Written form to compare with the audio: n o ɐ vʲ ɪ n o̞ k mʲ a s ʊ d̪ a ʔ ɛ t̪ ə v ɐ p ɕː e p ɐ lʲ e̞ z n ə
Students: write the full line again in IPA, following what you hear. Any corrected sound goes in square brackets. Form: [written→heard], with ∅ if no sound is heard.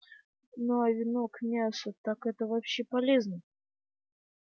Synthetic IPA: n o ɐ vʲ ɪ n o̞ k mʲ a s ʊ [d̪→t̪] a [ʔ→k] ɛ t̪ ə v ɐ p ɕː e p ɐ lʲ e̞ z n ə